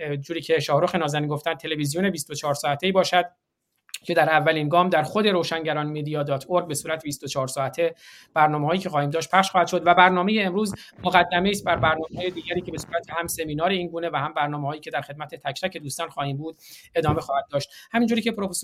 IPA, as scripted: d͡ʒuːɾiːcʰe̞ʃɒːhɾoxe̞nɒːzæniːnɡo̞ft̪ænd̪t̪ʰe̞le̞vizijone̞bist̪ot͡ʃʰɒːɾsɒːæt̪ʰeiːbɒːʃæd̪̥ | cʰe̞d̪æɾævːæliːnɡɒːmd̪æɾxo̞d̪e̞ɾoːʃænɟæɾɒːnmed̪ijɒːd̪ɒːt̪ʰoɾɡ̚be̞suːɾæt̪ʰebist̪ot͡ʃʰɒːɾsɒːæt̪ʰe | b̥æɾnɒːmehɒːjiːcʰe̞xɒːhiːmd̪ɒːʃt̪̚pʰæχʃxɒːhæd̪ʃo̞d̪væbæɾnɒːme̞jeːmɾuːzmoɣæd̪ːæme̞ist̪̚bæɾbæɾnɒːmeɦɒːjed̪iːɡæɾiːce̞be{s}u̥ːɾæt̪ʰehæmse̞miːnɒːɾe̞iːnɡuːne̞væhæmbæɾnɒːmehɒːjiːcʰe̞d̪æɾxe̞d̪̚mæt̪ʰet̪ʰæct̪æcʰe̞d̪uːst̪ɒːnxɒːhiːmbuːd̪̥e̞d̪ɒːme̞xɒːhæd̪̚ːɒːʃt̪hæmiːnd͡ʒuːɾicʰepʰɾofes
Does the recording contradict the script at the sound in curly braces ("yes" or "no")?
no